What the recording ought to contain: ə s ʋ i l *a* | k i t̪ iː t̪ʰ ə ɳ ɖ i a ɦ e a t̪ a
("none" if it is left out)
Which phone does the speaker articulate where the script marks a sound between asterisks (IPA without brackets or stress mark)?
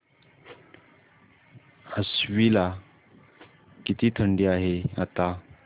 a